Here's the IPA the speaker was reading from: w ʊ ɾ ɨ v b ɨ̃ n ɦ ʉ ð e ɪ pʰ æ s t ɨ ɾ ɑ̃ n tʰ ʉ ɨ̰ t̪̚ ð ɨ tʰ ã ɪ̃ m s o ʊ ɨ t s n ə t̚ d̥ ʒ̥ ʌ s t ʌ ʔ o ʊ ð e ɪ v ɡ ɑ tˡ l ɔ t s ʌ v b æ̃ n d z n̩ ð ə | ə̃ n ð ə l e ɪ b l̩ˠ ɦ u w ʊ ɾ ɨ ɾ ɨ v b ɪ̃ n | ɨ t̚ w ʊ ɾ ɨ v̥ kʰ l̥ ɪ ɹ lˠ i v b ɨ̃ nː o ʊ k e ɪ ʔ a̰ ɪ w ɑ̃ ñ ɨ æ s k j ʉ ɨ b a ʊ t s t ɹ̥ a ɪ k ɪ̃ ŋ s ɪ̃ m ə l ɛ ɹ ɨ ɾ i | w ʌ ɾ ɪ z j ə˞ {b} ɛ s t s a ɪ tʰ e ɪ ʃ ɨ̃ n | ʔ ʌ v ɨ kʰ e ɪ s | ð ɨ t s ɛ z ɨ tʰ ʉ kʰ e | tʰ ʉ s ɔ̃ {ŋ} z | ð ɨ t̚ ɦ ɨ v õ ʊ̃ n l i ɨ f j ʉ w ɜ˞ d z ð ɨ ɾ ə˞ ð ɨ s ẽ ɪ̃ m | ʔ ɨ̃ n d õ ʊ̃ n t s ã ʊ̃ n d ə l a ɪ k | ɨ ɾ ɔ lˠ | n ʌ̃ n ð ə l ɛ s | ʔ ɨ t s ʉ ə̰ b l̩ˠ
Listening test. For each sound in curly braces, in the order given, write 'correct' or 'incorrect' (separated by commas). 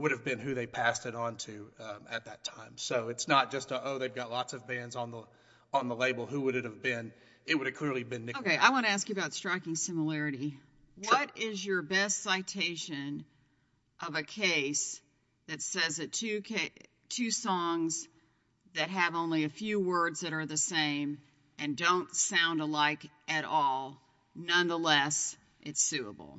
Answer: correct, correct